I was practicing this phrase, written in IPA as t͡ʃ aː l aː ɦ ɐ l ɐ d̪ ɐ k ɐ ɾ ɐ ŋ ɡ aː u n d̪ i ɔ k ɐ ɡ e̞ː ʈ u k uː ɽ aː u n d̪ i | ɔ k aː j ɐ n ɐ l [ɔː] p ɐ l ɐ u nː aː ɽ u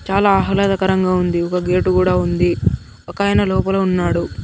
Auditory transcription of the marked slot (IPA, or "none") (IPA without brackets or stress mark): ɔː